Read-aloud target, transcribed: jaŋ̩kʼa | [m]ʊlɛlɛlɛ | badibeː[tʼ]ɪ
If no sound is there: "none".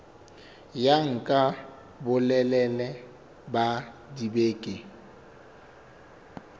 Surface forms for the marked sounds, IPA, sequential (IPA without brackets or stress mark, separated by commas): b, kʼ